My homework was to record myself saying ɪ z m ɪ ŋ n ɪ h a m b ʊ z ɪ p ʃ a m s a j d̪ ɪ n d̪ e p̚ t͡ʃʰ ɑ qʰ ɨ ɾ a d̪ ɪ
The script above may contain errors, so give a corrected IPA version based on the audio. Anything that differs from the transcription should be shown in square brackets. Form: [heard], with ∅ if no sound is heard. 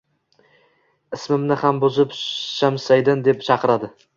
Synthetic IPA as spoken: ɪ [s] m ɪ [m] n ɪ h a m b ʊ z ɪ p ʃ a m s a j d̪ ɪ n d̪ e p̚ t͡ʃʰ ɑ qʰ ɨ ɾ a d̪ ɪ

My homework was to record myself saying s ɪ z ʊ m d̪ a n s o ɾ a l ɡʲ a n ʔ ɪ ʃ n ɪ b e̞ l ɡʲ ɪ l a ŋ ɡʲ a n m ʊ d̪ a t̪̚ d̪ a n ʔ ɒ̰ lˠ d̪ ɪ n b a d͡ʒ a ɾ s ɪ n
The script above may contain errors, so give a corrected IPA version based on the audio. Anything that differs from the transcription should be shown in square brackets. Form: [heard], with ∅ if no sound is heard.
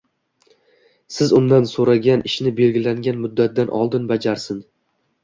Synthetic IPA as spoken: s ɪ z ʊ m d̪ a n s o ɾ a [∅] ɡʲ a n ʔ ɪ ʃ n ɪ b e̞ l ɡʲ ɪ l a ŋ ɡʲ a n m ʊ [d̪ː] a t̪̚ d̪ a n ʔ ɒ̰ lˠ d̪ ɪ n b a d͡ʒ a ɾ s ɪ n

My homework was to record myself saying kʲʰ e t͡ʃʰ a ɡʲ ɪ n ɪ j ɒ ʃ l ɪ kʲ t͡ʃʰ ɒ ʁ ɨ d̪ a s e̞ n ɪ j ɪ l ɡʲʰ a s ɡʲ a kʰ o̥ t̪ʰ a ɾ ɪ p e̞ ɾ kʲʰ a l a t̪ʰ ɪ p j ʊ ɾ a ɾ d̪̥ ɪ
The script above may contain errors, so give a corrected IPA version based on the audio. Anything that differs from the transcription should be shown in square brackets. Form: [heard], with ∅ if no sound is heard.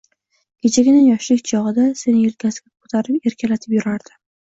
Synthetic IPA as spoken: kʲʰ e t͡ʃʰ a ɡʲ ɪ n ɪ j ɒ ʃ l ɪ kʲ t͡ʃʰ ɒ ʁ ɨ d̪ a s e̞ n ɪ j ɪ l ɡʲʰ a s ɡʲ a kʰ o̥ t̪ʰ a ɾ ɪ p e̞ ɾ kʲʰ a l a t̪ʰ ɪ p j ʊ ɾ a ɾ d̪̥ ɪ

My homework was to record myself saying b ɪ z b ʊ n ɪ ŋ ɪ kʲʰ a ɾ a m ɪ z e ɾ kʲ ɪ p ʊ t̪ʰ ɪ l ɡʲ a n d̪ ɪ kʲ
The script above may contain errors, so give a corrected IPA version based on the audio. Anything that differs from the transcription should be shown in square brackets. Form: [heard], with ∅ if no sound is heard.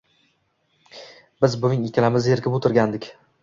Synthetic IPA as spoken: b ɪ z b ʊ n ɪ ŋ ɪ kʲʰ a [l] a m ɪ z e ɾ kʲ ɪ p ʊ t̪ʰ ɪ [ɾ] ɡʲ a n d̪ ɪ kʲ

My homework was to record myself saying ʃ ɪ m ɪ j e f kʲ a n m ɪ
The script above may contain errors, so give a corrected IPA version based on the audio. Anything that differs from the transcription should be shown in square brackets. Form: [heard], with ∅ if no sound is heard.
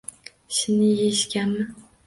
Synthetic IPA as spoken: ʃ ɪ [n] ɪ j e [ʃ] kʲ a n m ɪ

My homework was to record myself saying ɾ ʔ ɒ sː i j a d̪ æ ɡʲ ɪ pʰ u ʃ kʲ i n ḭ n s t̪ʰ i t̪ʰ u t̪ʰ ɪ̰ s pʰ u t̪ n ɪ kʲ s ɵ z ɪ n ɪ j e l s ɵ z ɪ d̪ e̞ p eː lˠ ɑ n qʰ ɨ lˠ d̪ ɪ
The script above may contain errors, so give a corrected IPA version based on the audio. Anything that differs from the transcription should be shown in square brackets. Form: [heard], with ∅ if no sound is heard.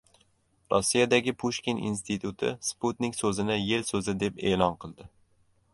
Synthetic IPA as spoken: ɾ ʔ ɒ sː i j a d̪ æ ɡʲ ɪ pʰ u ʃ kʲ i n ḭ n s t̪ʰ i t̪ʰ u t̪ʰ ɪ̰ s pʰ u t̪ n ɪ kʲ s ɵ z ɪ n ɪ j e l s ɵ z ɪ d̪ e̞ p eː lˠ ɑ n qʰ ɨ lˠ d̪ ɪ

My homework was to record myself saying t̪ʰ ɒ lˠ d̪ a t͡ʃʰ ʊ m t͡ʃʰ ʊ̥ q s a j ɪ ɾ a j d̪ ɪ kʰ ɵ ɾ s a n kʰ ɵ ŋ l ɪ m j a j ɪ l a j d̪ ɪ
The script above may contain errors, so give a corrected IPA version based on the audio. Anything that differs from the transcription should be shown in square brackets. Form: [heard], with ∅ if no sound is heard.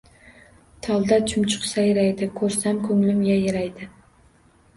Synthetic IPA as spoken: t̪ʰ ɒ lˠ d̪ a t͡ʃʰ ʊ m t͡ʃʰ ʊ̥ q s a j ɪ ɾ a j d̪ ɪ kʰ ɵ ɾ s a [m] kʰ ɵ ŋ l ɪ m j a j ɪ [ɾ] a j d̪ ɪ

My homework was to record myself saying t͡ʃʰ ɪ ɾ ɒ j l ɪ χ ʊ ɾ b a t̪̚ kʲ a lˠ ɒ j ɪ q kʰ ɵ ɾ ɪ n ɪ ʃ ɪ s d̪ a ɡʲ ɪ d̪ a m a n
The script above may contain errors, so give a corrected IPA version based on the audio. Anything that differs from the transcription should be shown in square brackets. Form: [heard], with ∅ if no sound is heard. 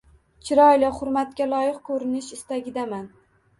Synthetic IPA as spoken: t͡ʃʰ ɪ ɾ ɒ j l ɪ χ ʊ ɾ [m] a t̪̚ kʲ a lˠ ɒ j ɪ q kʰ ɵ ɾ ɪ n ɪ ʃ ɪ s [t̪] a ɡʲ ɪ d̪ a m a n

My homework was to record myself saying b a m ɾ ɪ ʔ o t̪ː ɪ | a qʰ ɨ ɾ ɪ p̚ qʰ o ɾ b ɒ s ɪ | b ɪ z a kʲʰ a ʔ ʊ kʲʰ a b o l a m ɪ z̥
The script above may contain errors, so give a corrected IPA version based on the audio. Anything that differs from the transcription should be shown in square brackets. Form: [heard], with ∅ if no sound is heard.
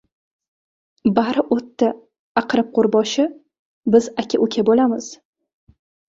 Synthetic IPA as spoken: b a [∅] ɾ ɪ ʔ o t̪ː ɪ | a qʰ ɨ ɾ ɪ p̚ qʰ o ɾ b ɒ [ʃ] ɪ | b ɪ z a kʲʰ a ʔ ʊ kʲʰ a b o l a m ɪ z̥

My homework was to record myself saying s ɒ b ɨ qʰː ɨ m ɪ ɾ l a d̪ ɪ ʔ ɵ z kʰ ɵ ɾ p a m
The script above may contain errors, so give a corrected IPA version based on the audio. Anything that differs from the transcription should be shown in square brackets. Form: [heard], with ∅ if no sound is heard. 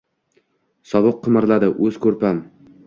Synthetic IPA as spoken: s ɒ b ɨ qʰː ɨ m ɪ ɾ l a d̪ ɪ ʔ ɵ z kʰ ɵ ɾ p a m

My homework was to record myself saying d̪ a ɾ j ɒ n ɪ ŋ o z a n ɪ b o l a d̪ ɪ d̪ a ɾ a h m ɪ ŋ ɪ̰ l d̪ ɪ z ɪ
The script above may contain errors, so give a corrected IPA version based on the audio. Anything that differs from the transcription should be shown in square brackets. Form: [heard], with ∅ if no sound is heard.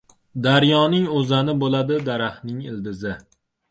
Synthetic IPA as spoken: d̪ a ɾ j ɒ n ɪ ŋ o z a n ɪ b o l a d̪ ɪ d̪ a ɾ a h [n] ɪ ŋ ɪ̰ l d̪ ɪ z ɪ

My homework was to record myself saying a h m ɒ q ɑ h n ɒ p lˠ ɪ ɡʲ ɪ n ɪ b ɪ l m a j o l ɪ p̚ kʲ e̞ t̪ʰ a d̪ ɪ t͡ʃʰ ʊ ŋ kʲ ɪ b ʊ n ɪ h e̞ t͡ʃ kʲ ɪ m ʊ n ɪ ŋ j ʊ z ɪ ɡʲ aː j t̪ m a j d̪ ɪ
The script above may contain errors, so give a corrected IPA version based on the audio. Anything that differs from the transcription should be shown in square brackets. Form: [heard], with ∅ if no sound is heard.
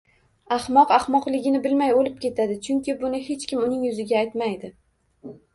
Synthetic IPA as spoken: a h m ɒ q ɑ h [m] ɒ [q] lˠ ɪ ɡʲ ɪ n ɪ b ɪ l m a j o l ɪ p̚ kʲ e̞ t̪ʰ a d̪ ɪ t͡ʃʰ ʊ ŋ kʲ ɪ b ʊ n ɪ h e̞ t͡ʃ kʲ ɪ m ʊ n ɪ ŋ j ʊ z ɪ ɡʲ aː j t̪ m a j d̪ ɪ

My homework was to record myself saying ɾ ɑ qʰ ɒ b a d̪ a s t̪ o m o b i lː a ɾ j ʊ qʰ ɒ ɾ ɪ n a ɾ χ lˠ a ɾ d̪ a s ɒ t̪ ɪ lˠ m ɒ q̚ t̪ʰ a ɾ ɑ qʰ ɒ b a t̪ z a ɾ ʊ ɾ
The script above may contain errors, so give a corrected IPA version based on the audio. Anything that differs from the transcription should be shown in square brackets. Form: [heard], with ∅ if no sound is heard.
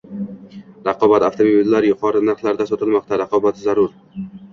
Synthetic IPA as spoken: ɾ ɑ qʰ ɒ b a [t̪] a [f] t̪ o m o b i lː a ɾ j ʊ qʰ ɒ ɾ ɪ n a ɾ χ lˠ a ɾ d̪ a s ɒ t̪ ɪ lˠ m ɒ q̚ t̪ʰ a ɾ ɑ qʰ ɒ b a t̪ z a ɾ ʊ ɾ

